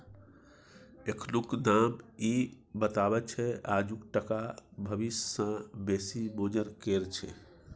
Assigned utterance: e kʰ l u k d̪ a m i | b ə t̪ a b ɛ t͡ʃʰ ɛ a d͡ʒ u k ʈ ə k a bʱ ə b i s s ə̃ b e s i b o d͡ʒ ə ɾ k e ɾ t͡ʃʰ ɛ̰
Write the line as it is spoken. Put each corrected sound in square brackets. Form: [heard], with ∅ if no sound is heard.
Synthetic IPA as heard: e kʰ l u k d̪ a m i | b ə t̪ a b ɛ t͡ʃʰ ɛ a d͡ʒ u k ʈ ə k a bʱ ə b i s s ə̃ b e s i b o d͡ʒ ə ɾ k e ɾ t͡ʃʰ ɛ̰